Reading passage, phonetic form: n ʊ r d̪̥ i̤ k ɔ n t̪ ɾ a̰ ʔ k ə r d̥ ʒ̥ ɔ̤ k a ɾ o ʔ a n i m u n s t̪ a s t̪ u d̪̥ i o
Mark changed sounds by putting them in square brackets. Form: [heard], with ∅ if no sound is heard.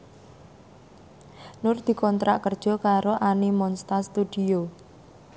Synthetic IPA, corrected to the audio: n ʊ r d̪̥ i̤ k ɔ n t̪ ɾ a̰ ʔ k ə r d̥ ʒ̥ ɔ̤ k a ɾ o ʔ a n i m [ɔ] n s t̪ a s t̪ u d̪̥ i o